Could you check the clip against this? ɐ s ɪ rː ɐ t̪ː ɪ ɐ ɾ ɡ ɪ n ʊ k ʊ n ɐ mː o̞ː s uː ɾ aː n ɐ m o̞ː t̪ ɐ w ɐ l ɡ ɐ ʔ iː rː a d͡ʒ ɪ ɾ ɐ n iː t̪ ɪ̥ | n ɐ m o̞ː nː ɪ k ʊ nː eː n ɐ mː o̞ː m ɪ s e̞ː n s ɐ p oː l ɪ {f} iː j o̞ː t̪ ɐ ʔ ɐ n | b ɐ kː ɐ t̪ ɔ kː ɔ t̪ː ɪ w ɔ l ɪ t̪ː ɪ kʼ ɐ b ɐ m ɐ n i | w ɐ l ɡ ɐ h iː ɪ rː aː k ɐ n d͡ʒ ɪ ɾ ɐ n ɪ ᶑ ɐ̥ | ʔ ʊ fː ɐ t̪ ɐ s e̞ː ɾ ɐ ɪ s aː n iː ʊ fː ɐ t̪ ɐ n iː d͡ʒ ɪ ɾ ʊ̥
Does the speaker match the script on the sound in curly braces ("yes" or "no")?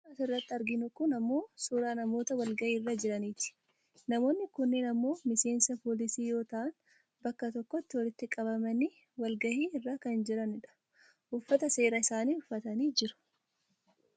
no